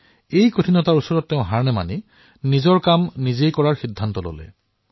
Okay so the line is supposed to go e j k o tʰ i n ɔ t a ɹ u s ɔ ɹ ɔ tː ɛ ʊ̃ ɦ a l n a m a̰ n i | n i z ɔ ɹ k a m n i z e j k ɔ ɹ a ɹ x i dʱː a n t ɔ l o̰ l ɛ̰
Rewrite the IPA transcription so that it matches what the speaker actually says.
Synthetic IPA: e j k o tʰ i n ɔ t a ɹ u s ɔ ɹ ɔ tː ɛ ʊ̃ ɦ a ɹ n ɛ m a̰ n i | n i z ɔ ɹ k a m n i z e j k ɔ ɹ a ɹ x i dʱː a n t ɔ l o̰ l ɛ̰